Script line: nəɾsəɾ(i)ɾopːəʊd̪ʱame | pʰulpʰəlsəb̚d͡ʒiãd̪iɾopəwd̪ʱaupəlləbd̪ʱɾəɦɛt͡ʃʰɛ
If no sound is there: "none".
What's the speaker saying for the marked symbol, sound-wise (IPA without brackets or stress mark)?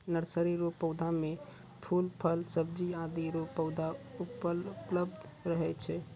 i